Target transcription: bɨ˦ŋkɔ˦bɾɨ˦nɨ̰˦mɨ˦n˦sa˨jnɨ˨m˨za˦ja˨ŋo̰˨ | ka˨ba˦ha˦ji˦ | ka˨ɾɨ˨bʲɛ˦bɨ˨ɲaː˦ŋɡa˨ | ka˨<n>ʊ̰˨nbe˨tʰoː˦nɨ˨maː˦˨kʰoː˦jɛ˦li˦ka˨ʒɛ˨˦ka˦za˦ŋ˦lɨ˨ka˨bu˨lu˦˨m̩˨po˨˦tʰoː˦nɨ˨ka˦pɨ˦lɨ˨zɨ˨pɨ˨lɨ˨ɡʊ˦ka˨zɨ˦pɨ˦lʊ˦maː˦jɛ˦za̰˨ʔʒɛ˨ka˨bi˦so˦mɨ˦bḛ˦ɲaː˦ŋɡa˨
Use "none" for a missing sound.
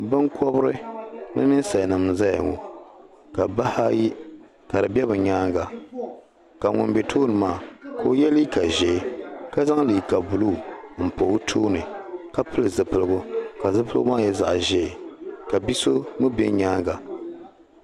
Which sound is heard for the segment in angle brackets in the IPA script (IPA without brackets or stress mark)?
ŋ